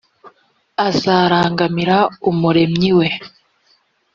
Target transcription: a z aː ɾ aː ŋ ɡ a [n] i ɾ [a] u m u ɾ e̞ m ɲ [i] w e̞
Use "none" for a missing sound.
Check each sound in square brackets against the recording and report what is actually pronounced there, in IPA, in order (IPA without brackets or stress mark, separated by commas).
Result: m, a, i